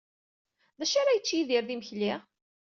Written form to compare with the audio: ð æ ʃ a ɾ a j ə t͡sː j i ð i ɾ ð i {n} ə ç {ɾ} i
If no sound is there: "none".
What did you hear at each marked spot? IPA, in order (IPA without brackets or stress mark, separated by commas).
m, l